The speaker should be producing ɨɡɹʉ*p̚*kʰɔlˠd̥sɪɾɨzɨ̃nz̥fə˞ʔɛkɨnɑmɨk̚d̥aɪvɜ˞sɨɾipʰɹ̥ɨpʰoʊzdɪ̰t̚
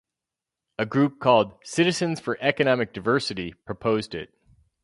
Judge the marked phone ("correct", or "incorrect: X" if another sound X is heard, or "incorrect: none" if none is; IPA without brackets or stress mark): correct